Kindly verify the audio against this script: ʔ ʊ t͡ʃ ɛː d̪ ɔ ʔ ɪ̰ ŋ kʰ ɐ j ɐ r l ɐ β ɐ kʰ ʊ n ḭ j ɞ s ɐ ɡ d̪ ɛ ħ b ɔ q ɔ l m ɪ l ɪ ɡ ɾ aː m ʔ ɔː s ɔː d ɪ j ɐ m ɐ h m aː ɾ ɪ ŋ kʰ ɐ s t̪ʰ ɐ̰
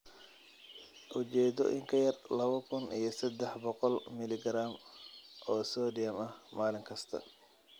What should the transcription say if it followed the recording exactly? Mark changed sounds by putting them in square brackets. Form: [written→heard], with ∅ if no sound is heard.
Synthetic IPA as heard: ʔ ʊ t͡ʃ ɛː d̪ ɔ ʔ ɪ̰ ŋ kʰ ɐ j ɐ r l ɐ β ɐ kʰ ʊ n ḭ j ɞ s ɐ [ɡ→∅] d̪ ɛ ħ b ɔ q ɔ l m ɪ l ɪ ɡ ɾ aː m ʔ ɔː s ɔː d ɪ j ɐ m ɐ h m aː [ɾ→l] ɪ ŋ kʰ ɐ s t̪ʰ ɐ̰